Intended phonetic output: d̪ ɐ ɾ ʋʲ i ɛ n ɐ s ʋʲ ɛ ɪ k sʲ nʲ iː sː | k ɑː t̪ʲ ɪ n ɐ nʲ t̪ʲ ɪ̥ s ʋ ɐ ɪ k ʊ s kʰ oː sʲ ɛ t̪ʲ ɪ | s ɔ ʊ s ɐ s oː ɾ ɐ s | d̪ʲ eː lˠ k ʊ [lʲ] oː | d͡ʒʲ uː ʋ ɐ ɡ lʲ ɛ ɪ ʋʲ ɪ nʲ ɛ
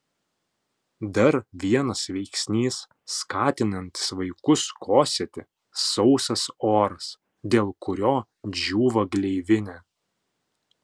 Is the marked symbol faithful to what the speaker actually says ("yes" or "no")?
no